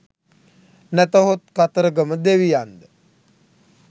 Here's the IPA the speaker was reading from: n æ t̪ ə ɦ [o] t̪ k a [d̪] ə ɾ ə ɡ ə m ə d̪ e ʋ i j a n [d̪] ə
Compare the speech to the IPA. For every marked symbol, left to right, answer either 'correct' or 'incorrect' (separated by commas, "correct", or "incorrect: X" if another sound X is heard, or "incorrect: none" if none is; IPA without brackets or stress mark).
correct, incorrect: t̪, correct